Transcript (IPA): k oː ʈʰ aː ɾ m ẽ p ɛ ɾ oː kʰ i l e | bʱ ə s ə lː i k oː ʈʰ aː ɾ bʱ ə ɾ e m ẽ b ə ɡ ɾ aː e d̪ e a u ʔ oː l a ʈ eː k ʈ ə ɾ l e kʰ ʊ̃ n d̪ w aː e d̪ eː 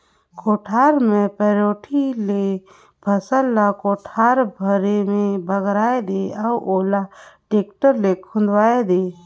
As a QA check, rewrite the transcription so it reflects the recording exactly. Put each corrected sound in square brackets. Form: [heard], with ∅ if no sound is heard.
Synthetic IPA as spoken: k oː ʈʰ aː ɾ m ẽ p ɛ ɾ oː [ʈʰ] i l e | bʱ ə s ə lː [a] k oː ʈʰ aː ɾ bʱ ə ɾ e m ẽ b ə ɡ ɾ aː e d̪ e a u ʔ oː l a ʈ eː k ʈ ə ɾ l e kʰ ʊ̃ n d̪ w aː e d̪ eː

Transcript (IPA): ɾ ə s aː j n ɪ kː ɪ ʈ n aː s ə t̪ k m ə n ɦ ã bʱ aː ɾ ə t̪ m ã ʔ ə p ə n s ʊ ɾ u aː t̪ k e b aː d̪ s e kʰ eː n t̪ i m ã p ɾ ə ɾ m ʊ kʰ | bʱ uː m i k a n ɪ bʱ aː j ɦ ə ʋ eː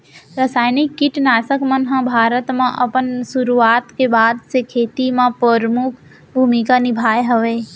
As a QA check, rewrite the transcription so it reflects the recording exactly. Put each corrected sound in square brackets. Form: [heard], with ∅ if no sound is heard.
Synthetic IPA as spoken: ɾ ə s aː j n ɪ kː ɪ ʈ n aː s ə [∅] k m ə n ɦ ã bʱ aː ɾ ə t̪ m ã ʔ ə p ə n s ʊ ɾ u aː t̪ k e b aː d̪ s e kʰ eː [∅] t̪ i m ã p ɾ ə ɾ m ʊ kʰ | bʱ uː m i k a n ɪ bʱ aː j ɦ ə ʋ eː

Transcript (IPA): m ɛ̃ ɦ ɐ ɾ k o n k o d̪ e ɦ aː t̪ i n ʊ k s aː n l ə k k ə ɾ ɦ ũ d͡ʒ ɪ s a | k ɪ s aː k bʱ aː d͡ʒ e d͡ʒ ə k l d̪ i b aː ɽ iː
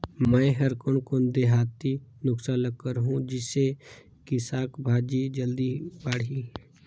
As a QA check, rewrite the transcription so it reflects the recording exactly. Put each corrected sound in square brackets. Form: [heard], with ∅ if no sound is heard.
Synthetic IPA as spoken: m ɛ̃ ɦ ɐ ɾ k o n k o d̪ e ɦ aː t̪ i n ʊ k s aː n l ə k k ə ɾ ɦ ũ d͡ʒ ɪ s [e] | k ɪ s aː k bʱ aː d͡ʒ [i] d͡ʒ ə [∅] l d̪ i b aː ɽ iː

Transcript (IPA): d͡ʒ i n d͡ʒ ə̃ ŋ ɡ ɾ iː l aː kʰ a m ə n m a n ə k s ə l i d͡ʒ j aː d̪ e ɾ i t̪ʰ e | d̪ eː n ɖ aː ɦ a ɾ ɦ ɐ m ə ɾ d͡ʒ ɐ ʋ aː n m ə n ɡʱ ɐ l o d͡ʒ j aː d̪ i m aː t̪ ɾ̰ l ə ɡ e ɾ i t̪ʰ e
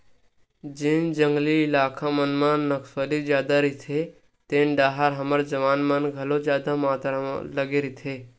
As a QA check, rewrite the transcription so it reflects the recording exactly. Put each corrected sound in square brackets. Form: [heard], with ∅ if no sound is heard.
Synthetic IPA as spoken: d͡ʒ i n d͡ʒ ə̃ ŋ ɡ [l] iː l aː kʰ a m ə n m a n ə k s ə l i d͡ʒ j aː d̪ [a] ɾ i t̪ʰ e | [t̪] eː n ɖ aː ɦ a ɾ ɦ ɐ m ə ɾ d͡ʒ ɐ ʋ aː n m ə n ɡʱ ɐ l o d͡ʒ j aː d̪ [a] m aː t̪ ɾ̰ l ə ɡ e ɾ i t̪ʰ e

